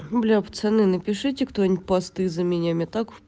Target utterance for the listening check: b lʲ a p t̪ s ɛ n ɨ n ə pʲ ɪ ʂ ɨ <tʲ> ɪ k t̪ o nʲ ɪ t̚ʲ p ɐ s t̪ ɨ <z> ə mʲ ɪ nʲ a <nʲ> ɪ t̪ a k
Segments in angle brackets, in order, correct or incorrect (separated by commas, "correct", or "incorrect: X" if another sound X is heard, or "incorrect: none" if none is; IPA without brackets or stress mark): correct, correct, incorrect: mʲ